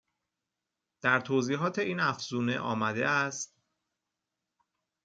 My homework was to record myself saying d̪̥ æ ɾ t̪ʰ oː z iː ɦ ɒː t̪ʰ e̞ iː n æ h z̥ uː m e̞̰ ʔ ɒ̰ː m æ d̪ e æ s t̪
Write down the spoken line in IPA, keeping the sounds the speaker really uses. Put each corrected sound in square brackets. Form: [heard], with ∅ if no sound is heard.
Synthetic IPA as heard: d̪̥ æ ɾ t̪ʰ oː z iː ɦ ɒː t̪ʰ e̞ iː n æ [f] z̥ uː [n] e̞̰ ʔ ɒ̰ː m æ d̪ e æ s t̪